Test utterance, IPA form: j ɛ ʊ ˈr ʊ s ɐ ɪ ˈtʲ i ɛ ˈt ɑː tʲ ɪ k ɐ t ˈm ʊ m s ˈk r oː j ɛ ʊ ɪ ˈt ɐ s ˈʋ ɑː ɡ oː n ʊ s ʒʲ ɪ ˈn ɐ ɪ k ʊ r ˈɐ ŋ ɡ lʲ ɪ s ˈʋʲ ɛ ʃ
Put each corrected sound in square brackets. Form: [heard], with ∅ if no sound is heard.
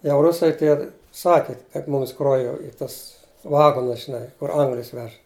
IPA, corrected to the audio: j ɛ ʊ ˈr ʊ s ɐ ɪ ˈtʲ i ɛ [ˈs] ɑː [kʲ] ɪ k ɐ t ˈm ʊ m s ˈk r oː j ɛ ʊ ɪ ˈt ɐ s ˈʋ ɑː ɡ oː n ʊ s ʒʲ ɪ ˈn ɐ ɪ k ʊ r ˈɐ ŋ ɡ lʲ ɪ s ˈʋʲ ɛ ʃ